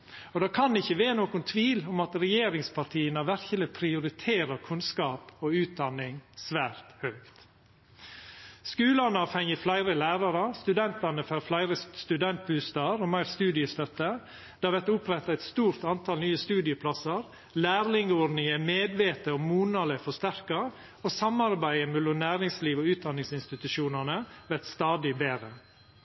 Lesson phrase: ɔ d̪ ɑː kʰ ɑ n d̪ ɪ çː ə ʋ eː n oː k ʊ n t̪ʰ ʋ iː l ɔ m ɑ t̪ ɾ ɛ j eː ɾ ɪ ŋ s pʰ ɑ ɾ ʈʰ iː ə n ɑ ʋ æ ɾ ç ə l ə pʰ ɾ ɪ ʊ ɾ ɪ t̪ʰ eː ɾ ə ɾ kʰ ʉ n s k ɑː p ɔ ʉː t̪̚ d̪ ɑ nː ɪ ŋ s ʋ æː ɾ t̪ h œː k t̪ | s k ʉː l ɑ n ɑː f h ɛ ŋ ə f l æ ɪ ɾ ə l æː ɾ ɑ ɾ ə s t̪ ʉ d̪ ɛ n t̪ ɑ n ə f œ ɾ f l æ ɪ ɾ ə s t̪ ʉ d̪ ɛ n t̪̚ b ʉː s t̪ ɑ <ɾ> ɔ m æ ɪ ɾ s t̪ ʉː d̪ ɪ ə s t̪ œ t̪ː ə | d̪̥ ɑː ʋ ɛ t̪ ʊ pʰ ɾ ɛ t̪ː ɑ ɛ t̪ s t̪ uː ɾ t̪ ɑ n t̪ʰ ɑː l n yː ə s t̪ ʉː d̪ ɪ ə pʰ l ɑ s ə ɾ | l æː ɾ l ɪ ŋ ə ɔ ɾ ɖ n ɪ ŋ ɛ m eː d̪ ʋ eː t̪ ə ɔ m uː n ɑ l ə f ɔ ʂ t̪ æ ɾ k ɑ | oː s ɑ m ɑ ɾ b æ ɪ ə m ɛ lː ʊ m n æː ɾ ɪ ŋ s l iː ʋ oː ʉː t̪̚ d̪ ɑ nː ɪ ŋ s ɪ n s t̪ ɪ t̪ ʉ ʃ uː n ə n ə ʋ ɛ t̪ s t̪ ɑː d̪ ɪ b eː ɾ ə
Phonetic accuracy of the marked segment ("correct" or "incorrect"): correct